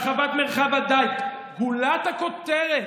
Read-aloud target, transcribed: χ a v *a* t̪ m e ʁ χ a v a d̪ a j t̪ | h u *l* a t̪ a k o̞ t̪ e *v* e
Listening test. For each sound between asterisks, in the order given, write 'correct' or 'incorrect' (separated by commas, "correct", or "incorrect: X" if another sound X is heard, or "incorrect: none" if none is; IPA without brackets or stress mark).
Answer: correct, correct, incorrect: ʁ